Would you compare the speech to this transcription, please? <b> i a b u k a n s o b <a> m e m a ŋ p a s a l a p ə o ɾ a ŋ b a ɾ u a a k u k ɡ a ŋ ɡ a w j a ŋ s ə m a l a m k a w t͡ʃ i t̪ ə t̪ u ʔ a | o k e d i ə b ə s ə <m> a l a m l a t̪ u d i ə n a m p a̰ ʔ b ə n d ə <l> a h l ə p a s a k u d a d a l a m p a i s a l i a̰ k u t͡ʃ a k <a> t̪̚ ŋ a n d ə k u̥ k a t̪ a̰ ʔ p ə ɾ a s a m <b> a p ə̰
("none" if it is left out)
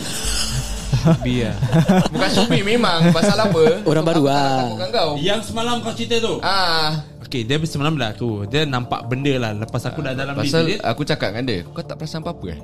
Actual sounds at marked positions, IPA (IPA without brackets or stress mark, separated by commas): b, i, m, l, a, p